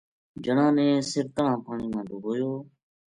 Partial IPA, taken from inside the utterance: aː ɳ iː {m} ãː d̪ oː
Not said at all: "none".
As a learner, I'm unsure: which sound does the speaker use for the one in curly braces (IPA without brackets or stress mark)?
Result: m